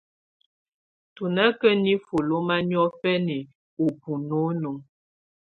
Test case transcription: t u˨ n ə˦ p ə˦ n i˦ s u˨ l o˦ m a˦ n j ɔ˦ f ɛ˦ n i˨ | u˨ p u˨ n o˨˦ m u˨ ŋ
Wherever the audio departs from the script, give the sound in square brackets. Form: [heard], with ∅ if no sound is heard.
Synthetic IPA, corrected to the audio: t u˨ n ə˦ [k] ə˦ n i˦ [f] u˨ l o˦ m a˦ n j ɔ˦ f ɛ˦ n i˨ | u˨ p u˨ n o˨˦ [n] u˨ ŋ